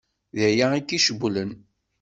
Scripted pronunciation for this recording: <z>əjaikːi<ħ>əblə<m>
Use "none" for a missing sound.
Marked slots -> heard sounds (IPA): ð, ʃ, n

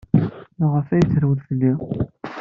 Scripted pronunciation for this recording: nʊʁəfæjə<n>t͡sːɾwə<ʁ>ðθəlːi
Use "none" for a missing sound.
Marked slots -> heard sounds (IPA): none, none

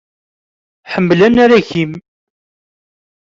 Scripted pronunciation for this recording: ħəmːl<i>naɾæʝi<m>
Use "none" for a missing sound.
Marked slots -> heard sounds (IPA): æ, m

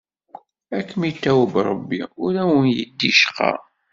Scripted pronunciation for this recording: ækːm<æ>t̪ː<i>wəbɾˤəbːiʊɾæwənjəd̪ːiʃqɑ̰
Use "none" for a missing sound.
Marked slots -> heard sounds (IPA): i, æ

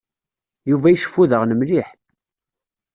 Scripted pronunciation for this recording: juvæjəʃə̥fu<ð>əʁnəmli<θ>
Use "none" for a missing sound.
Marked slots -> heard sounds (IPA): ð, ħ

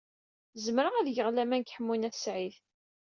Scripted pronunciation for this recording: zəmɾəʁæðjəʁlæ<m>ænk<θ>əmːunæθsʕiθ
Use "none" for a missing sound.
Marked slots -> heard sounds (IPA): m, ħ

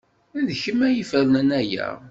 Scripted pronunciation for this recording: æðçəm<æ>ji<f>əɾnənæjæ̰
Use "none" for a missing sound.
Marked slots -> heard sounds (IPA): æ, f

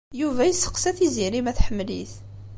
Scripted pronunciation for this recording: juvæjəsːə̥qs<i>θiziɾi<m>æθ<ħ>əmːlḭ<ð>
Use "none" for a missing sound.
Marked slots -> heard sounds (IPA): æ, m, ħ, θ

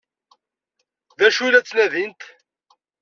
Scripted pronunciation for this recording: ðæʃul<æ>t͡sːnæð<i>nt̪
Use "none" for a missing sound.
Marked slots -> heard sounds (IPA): æ, i

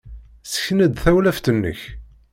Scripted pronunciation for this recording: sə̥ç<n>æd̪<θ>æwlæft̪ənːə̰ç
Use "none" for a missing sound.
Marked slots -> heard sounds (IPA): n, θ

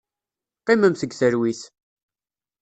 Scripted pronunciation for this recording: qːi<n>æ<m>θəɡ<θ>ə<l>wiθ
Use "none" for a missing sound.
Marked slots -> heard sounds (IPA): m, m, θ, ɾ

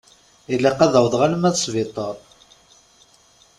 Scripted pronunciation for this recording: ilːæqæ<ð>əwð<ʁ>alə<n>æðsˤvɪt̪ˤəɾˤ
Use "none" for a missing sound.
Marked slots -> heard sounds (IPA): ð, ʁ, m

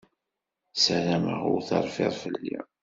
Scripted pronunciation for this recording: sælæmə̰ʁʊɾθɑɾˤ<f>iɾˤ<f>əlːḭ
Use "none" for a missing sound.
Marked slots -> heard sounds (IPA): f, f

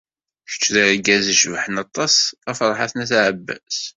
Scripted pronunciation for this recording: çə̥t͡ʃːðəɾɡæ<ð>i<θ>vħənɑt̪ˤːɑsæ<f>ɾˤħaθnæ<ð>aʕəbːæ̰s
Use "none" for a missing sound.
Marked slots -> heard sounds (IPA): z, ʃ, f, θ

